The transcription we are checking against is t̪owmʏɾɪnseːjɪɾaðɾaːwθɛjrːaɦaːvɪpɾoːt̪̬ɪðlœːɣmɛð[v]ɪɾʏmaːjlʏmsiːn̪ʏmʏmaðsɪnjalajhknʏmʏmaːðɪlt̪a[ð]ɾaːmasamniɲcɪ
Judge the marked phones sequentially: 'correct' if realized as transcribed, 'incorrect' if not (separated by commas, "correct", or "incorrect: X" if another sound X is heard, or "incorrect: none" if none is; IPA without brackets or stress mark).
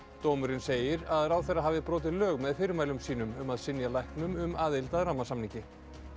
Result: incorrect: f, correct